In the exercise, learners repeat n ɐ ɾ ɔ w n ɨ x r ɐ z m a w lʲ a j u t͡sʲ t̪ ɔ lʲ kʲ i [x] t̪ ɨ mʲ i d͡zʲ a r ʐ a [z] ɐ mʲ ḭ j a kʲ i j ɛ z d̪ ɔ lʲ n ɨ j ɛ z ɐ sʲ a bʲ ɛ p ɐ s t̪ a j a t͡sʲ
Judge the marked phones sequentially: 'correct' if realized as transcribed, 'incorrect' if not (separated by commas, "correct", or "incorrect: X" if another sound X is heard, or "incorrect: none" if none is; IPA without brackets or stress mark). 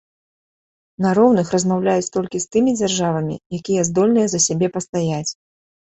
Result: incorrect: s, incorrect: v